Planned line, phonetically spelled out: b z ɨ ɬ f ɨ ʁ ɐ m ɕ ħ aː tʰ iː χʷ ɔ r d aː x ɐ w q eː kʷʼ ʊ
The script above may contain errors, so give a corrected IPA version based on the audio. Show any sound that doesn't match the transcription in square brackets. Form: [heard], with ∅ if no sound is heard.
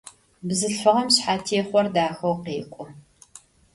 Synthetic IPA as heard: b z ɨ ɬ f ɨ ʁ ɐ m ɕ ħ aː tʰ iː χʷ ɔ r d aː x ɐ w q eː kʷʼ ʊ